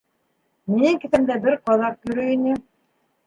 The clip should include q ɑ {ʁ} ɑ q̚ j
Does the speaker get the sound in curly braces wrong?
yes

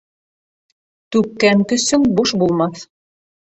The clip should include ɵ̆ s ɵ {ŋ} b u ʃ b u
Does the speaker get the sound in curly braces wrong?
no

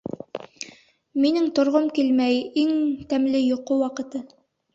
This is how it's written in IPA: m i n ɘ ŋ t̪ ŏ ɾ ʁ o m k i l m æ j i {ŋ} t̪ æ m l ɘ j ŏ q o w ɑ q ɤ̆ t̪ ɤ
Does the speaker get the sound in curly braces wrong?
no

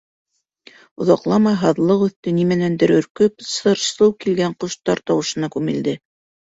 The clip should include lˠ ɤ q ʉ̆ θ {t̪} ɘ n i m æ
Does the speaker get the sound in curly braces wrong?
no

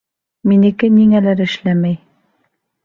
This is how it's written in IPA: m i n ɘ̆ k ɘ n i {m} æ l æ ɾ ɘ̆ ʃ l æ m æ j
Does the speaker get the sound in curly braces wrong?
yes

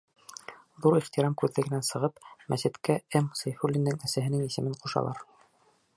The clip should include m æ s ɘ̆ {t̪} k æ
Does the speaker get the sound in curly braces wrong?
no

